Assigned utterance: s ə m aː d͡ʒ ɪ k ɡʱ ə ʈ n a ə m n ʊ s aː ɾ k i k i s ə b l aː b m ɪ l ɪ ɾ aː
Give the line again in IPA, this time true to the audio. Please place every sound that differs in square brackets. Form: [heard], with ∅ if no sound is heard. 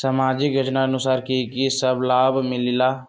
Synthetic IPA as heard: s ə m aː d͡ʒ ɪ k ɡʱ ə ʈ n a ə [∅] n ʊ s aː ɾ k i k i s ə b l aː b m ɪ l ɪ [l] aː